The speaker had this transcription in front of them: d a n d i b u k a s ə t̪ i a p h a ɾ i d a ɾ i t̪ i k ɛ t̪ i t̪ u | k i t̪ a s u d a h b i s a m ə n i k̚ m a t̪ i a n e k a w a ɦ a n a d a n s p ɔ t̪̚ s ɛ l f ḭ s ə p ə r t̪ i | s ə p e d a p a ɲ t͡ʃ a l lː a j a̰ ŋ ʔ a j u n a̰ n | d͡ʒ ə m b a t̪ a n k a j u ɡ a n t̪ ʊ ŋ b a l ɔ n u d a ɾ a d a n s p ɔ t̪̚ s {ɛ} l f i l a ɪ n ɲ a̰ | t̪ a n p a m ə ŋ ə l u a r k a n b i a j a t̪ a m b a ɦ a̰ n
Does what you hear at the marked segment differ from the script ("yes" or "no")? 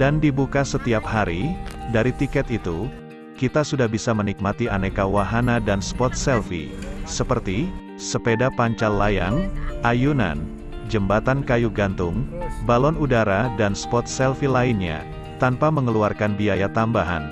no